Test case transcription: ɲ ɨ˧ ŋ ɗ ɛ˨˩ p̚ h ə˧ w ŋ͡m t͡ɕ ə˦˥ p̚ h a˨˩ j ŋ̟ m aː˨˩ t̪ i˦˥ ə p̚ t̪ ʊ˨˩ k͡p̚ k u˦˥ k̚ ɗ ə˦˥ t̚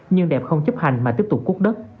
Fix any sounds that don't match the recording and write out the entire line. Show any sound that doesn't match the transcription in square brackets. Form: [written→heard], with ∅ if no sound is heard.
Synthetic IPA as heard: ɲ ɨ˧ ŋ ɗ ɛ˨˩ p̚ [h→x] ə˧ w ŋ͡m t͡ɕ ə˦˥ p̚ h a˨˩ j ŋ̟ m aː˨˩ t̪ i˦˥ ə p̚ t̪ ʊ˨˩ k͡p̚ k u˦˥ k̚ ɗ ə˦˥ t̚